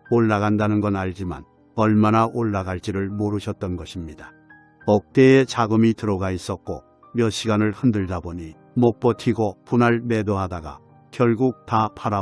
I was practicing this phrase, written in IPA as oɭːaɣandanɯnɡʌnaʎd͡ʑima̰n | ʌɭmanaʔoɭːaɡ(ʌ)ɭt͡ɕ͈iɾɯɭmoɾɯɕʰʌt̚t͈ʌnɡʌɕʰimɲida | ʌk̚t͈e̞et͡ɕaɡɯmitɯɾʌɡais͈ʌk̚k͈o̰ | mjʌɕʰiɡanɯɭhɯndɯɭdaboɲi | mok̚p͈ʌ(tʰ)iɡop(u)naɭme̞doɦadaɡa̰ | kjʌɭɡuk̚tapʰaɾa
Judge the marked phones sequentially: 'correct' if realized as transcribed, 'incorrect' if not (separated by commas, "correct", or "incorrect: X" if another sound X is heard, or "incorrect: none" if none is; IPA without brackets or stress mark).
incorrect: a, correct, correct